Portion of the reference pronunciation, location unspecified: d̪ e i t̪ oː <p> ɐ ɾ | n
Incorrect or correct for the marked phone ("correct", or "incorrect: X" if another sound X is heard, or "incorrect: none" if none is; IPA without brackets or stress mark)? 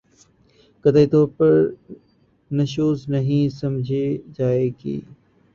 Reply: correct